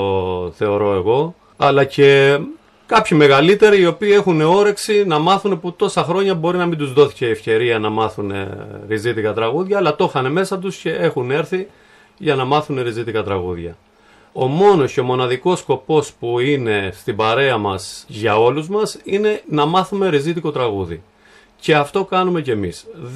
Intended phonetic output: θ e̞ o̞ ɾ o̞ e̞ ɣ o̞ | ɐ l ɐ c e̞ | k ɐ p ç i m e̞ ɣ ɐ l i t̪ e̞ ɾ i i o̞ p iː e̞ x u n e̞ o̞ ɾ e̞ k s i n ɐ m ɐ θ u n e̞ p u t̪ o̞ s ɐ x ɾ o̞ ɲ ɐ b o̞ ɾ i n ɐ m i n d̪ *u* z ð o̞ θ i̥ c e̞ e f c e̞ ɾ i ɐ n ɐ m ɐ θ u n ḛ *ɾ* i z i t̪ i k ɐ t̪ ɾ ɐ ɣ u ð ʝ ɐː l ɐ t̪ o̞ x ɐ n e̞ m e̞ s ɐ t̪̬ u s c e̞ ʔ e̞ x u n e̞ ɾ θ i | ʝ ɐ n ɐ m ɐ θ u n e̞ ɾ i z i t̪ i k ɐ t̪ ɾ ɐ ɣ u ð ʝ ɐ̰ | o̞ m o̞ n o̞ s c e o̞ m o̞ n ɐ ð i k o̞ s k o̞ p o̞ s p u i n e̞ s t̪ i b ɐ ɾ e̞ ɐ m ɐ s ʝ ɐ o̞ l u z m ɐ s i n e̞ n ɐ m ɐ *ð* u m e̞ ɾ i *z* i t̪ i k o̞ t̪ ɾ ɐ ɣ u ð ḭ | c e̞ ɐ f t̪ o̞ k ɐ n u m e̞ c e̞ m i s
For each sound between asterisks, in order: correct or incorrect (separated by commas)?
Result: correct, correct, incorrect, correct